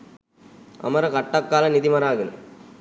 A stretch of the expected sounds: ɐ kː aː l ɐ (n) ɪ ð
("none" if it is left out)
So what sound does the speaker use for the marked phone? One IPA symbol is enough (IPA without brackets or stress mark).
n